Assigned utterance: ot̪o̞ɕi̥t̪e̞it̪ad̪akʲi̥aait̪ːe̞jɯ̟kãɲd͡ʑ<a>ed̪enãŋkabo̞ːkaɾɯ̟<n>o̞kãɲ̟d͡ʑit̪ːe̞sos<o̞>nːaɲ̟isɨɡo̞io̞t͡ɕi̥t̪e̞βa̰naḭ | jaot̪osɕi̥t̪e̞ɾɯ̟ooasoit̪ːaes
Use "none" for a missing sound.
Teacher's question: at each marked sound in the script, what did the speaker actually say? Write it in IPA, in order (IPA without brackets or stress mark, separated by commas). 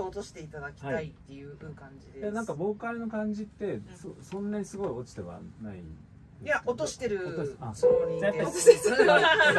i, n, õ̞